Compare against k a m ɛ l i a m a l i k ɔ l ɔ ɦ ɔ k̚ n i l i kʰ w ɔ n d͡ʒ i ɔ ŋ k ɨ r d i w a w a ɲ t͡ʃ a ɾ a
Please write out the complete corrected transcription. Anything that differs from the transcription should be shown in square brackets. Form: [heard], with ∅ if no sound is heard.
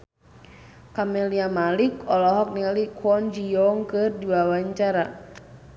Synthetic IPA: k a m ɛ l i a m a l i k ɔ l ɔ ɦ ɔ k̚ n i l i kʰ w ɔ n d͡ʒ i ɔ ŋ k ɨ r d i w a w a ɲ t͡ʃ a ɾ a